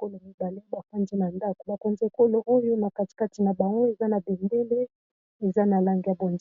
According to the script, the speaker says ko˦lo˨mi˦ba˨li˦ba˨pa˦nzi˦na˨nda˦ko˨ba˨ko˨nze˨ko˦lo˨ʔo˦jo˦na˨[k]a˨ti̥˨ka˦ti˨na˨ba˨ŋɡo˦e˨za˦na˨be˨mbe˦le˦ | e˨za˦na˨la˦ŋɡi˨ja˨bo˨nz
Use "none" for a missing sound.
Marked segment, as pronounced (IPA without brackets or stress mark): k